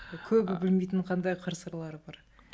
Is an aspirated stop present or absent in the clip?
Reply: present